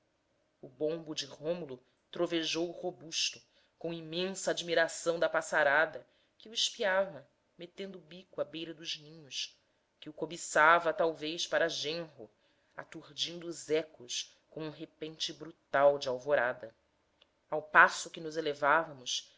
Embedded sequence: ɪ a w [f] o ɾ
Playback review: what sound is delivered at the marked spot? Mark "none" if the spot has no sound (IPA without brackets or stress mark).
v